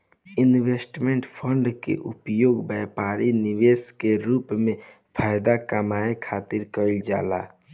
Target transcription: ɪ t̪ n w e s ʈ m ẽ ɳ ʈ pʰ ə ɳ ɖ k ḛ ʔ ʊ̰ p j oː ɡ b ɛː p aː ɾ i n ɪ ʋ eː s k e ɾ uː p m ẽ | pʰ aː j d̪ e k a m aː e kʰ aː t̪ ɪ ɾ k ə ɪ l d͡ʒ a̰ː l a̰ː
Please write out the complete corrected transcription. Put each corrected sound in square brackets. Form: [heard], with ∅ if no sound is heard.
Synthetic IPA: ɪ [∅] n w e s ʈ m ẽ ɳ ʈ pʰ ə ɳ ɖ k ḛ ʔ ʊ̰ p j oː ɡ b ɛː p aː ɾ i n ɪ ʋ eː s k e ɾ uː p m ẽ | pʰ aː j d̪ [a] k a m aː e kʰ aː t̪ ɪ ɾ k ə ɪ l d͡ʒ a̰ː l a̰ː